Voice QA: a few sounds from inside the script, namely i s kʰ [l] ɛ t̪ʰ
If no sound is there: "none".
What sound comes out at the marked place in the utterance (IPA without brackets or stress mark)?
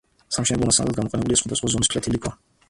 l